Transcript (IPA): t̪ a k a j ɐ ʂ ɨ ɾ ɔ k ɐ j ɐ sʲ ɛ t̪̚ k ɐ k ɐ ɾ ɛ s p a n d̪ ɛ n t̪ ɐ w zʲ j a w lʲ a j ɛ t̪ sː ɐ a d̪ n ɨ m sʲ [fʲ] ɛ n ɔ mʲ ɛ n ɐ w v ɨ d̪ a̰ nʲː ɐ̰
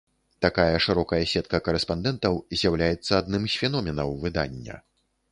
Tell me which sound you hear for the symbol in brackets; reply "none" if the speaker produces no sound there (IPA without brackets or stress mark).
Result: fʲ